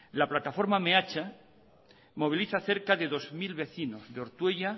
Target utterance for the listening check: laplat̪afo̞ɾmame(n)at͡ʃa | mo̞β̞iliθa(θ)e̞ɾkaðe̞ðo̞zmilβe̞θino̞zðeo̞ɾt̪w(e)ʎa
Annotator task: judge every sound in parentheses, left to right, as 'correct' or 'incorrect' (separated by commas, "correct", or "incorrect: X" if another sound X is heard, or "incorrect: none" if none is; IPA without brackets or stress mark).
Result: incorrect: none, correct, correct